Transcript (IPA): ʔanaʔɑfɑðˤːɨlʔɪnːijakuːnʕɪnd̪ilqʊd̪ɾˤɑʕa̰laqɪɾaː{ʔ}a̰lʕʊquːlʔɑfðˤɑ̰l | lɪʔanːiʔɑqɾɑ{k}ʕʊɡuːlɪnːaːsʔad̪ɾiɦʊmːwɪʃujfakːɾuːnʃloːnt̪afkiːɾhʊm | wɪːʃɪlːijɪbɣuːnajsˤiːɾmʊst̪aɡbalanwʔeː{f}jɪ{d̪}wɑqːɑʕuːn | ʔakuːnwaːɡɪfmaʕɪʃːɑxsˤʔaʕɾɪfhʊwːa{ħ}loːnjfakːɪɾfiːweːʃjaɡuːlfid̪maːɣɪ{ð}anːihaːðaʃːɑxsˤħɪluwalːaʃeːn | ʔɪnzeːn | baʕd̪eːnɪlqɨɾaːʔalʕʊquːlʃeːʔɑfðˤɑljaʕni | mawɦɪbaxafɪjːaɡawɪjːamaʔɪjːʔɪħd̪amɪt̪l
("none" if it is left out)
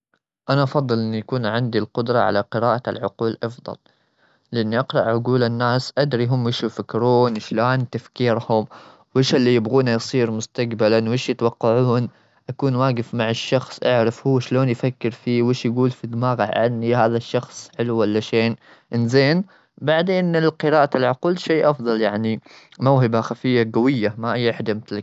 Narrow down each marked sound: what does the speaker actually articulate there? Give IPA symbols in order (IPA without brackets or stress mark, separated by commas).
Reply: ʔ, ʔ, ʃ, t̪, ʃ, ʕ